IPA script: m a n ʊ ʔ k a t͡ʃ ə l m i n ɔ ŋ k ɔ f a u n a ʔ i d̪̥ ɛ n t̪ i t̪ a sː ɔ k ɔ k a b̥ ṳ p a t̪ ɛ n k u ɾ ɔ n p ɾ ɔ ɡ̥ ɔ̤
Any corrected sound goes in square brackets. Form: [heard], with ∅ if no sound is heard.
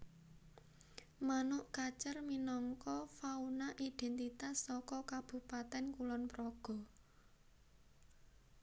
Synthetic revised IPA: m a n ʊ ʔ k a t͡ʃ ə [r] m i n ɔ ŋ k ɔ f a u n a ʔ i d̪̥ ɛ n t̪ i t̪ a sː ɔ k ɔ k a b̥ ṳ p a t̪ ɛ n k u [l] ɔ n p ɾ ɔ ɡ̥ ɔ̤